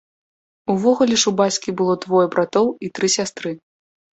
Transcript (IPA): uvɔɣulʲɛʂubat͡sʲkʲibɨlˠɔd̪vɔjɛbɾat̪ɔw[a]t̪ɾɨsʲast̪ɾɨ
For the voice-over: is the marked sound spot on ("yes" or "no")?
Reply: no